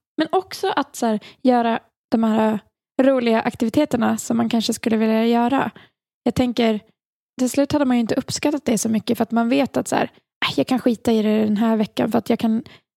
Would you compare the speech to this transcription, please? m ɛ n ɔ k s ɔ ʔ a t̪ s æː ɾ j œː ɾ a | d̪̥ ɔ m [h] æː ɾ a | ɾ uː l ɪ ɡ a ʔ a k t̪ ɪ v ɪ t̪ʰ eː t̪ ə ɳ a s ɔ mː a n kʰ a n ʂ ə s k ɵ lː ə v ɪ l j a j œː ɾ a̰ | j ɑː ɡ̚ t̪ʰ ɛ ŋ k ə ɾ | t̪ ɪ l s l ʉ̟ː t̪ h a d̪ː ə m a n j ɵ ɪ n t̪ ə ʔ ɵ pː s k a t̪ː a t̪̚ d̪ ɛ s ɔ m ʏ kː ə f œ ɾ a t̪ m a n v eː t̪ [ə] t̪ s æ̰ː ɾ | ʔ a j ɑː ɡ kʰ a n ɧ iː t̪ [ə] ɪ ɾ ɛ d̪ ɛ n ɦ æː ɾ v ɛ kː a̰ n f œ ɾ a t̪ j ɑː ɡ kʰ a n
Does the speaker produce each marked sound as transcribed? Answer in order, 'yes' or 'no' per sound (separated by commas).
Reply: yes, no, no